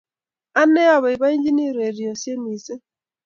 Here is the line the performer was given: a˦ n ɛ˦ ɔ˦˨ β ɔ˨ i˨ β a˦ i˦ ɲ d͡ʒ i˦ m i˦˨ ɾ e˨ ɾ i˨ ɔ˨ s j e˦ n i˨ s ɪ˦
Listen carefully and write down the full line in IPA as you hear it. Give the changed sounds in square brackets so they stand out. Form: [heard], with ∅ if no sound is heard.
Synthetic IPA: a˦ n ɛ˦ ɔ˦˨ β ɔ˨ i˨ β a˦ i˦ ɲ d͡ʒ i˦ [n] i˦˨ ɾ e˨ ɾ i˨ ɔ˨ s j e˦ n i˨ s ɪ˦